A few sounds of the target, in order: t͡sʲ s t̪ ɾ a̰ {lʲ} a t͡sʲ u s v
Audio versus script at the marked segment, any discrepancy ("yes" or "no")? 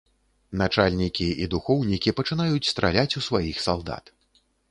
no